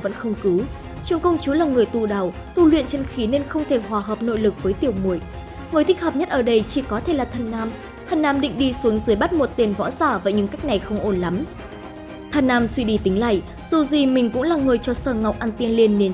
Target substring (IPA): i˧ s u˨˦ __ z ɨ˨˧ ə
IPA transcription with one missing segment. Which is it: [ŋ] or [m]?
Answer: ŋ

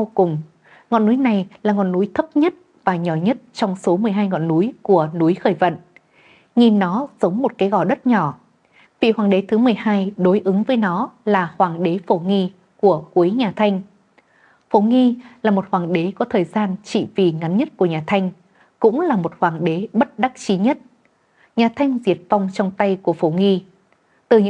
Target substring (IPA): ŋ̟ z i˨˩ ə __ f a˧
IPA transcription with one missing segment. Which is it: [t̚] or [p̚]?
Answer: t̚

